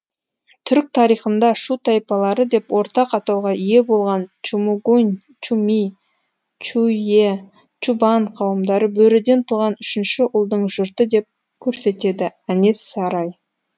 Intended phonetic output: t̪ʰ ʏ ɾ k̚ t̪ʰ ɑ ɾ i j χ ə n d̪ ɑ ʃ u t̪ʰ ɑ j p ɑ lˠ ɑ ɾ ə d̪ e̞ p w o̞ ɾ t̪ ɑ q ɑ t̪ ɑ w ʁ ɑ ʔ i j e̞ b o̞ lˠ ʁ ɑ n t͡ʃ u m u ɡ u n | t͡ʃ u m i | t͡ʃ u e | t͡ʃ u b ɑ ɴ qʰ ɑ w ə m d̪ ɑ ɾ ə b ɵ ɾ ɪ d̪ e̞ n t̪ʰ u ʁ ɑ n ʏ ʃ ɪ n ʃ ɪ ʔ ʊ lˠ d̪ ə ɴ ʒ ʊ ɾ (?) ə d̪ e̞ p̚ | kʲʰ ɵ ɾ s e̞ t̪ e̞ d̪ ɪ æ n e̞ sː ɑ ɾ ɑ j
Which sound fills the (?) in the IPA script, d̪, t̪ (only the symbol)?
t̪